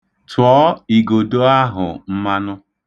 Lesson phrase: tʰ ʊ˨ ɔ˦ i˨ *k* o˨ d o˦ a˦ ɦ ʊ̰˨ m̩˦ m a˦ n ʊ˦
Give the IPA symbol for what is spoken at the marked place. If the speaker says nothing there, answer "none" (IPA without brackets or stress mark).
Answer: ɡ